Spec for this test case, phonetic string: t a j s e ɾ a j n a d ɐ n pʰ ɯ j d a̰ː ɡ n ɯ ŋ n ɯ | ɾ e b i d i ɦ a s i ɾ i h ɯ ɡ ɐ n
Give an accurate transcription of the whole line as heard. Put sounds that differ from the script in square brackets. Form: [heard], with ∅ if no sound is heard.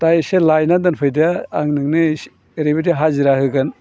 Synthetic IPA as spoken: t a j s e [l] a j n a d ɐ n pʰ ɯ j d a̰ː [ŋ] n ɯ ŋ n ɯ | ɾ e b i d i ɦ a [z] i ɾ [a] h ɯ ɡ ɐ n